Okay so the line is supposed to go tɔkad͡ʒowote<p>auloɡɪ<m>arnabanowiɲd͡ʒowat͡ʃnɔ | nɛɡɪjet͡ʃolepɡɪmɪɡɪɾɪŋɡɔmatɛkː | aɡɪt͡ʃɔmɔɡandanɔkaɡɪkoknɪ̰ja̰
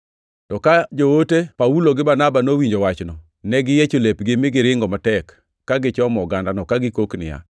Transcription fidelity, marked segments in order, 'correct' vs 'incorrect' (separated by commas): correct, incorrect